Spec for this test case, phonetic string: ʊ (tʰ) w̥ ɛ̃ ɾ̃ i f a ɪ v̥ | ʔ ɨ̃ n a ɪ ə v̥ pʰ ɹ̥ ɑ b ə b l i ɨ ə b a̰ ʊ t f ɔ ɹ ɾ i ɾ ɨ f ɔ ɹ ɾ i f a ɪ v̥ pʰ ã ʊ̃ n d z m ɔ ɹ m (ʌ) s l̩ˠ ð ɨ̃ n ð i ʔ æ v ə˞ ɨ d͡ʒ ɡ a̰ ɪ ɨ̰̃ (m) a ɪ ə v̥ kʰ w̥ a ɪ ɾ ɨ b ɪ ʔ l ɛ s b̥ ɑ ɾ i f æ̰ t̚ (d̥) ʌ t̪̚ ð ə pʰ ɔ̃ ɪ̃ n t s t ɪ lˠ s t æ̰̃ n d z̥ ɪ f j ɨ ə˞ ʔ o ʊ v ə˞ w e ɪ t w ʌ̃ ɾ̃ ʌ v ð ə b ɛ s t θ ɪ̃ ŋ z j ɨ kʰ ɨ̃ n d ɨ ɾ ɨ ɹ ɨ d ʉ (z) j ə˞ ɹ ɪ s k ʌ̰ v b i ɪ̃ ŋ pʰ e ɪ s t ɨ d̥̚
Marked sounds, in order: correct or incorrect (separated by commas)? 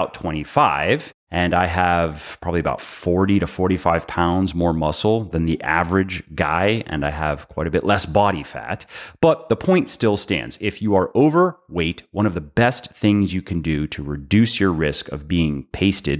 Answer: correct, correct, incorrect, incorrect, incorrect